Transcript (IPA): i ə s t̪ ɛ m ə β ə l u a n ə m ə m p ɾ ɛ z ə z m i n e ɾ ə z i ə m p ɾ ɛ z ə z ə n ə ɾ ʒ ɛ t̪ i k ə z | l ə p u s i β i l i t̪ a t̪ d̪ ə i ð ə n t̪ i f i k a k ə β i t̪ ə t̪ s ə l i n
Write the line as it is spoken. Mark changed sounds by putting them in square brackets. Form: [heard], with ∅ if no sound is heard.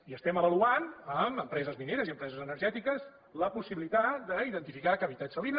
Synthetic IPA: i ə s t̪ ɛ m ə β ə l u a n ə m ə m p ɾ ɛ z ə z m i n e ɾ ə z i ə m p ɾ ɛ z ə z ə n ə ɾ ʒ ɛ t̪ i k ə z | l ə p u s i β i l i t̪ a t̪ d̪ ə i ð ə n t̪ i f i k a k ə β i t̪ [a] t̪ s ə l i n